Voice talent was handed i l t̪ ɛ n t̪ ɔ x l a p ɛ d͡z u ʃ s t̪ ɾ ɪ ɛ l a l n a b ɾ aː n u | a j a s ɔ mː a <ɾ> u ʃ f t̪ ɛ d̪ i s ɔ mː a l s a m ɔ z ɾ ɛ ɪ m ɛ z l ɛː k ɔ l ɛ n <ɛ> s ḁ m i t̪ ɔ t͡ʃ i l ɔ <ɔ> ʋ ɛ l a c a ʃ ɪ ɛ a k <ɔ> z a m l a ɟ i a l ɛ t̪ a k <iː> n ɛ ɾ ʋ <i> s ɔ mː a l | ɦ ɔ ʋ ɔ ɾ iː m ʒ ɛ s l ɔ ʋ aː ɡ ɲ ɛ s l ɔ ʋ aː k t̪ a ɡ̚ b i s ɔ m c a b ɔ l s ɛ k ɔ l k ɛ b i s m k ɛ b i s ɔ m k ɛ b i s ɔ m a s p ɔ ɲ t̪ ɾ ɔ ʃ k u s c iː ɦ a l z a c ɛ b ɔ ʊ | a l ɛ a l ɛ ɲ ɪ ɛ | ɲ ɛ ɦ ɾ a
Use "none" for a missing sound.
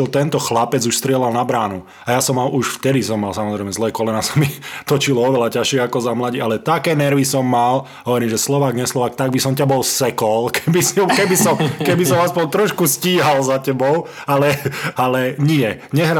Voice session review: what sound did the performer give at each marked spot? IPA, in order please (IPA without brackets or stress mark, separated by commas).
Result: l, a, ɔ, ɔ, ɛː, i